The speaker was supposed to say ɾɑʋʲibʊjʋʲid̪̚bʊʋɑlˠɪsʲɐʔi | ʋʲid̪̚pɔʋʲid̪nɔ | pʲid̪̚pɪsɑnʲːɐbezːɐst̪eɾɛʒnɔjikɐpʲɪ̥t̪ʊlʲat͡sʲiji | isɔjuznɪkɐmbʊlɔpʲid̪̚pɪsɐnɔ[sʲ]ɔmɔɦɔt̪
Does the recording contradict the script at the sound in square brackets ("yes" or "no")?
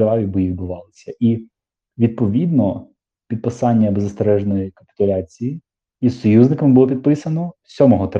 no